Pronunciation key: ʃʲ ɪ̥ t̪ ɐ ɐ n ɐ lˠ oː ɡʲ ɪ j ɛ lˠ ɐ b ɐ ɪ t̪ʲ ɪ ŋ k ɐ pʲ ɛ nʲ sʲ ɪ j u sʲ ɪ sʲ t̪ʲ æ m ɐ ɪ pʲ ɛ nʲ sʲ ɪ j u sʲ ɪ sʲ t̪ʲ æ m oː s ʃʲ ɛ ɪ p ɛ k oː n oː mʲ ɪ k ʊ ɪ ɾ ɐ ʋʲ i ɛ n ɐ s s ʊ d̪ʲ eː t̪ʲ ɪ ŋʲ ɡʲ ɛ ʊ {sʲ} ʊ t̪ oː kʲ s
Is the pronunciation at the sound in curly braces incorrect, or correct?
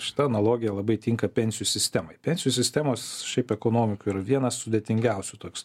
correct